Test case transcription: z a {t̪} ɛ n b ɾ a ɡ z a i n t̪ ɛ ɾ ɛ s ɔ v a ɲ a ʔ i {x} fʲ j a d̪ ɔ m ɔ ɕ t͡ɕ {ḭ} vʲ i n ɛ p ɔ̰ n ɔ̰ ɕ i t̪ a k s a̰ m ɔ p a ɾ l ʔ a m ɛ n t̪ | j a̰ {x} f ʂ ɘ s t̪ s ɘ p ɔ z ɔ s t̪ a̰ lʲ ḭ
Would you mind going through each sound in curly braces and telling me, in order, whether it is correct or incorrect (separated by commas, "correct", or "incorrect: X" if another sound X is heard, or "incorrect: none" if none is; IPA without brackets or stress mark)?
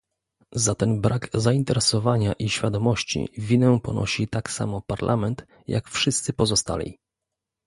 correct, incorrect: ɕ, correct, incorrect: k